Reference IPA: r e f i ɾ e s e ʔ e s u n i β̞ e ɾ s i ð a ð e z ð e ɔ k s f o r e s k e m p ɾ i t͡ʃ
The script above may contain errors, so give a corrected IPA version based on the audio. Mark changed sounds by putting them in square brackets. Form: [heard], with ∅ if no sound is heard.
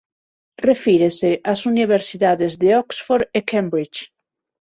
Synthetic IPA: r e f i ɾ e s e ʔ [a] s u n i β̞ e ɾ s i ð a ð e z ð e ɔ k s f o [ɾ] e [∅] k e m [b] ɾ i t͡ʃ